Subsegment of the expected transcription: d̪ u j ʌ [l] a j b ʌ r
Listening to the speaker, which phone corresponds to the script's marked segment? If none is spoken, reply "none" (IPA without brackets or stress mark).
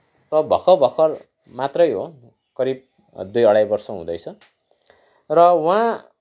ɽ